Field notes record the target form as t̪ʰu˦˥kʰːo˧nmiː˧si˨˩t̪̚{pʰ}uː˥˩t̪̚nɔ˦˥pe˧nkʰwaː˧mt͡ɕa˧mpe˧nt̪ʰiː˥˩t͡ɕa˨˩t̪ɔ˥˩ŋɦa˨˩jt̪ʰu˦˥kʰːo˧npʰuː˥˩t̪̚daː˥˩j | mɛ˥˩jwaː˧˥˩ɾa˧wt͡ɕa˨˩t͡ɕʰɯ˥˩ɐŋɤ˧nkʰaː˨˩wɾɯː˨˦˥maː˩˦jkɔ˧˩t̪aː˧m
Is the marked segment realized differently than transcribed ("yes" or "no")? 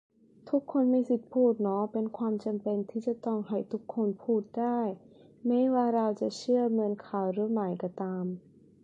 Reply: no